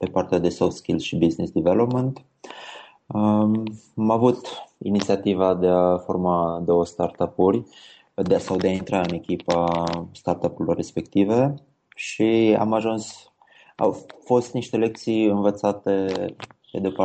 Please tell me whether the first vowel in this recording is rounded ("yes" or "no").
no